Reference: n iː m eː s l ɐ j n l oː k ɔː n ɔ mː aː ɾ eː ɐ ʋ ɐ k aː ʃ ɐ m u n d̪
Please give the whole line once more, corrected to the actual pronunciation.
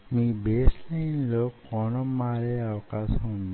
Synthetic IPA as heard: m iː b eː s l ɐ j n l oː k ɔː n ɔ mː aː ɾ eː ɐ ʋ ɐ k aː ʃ ɐ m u n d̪